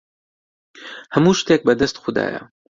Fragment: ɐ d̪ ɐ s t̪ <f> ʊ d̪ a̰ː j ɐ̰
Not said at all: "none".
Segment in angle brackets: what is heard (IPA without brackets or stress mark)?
x